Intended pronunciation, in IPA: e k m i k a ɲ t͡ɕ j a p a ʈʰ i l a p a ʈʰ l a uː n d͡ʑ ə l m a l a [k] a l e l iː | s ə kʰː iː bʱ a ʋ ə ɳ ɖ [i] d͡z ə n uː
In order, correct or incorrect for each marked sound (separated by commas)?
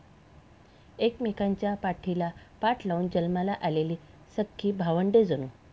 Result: incorrect, incorrect